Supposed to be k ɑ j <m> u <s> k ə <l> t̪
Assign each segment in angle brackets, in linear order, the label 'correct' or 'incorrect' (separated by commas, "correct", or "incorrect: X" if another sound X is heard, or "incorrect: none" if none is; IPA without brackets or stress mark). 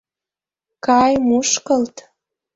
correct, incorrect: ʃ, correct